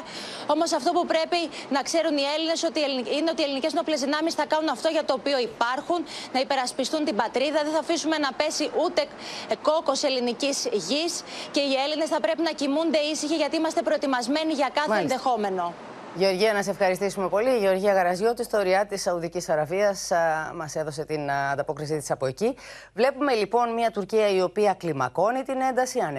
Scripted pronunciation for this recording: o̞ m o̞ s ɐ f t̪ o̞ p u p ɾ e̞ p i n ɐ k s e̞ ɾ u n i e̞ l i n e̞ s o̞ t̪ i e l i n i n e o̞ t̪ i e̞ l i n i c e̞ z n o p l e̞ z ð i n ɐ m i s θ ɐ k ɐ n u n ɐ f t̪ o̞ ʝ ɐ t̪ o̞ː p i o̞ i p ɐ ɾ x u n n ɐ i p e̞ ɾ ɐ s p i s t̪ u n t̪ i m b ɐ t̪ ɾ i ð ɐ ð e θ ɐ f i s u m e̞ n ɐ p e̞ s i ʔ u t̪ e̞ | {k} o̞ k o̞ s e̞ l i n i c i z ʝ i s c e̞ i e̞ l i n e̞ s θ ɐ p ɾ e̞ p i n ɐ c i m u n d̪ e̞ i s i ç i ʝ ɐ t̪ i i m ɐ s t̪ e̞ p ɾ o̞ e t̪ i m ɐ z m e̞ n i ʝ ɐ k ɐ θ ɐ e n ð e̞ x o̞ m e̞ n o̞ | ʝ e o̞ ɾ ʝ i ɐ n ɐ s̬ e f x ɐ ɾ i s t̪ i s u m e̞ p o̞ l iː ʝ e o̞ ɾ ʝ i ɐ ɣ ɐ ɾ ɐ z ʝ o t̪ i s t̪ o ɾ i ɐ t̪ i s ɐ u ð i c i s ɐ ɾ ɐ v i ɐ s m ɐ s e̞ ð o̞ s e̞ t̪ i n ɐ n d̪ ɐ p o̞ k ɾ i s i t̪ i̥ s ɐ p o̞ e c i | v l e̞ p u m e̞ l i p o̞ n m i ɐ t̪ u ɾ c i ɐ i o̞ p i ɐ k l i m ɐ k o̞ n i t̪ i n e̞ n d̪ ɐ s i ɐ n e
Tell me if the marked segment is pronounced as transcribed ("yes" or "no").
yes